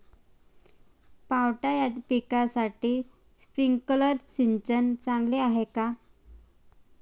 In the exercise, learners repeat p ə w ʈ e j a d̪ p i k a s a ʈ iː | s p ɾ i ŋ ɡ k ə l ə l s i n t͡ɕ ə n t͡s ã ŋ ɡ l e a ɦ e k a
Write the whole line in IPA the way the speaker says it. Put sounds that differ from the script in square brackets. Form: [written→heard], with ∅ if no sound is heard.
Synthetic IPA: p [ə→a] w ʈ [e→a] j a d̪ p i k a s a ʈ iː | s p ɾ i ŋ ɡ k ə l ə [l→ɾ] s i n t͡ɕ ə n t͡s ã ŋ ɡ l e a ɦ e k a